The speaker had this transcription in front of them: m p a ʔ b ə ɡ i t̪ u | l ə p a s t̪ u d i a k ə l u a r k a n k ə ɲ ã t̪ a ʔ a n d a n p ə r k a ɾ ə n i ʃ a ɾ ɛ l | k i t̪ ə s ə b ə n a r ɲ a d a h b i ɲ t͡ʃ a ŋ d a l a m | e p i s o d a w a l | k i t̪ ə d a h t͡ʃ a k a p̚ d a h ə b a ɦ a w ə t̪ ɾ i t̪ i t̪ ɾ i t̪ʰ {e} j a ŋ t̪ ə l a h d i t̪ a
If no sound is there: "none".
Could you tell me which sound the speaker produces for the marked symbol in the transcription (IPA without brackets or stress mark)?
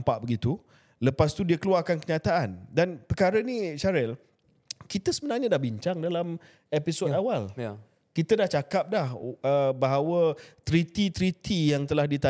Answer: i